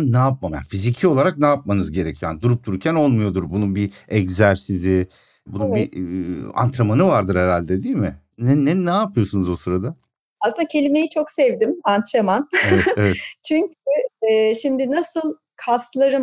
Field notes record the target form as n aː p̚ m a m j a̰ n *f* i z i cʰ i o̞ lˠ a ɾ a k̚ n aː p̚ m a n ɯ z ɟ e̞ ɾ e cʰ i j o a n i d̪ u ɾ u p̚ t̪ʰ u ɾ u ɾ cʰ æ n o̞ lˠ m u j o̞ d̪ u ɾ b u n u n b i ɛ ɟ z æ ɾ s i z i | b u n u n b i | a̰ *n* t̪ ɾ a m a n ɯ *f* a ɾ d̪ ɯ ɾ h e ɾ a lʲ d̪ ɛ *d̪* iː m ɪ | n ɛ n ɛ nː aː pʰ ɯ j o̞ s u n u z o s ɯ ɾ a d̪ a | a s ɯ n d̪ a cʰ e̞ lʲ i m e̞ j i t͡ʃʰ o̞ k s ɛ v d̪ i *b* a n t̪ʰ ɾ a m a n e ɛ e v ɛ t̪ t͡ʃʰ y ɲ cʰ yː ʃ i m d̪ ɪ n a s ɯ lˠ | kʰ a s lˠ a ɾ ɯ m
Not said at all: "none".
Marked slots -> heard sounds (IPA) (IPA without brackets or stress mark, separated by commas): f, n, v, d̪, m